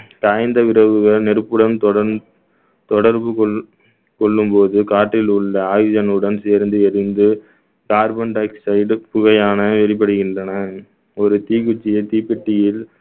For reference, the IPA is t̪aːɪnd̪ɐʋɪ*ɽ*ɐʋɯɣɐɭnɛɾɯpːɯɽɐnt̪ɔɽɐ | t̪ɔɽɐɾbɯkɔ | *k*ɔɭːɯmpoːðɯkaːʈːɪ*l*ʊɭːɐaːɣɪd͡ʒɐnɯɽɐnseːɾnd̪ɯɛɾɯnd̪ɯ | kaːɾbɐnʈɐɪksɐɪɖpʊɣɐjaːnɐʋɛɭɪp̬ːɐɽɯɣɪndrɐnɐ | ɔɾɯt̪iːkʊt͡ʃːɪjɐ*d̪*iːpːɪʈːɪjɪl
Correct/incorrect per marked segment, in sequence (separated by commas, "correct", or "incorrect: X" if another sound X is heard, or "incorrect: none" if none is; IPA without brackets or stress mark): incorrect: ɾ, correct, correct, incorrect: t̪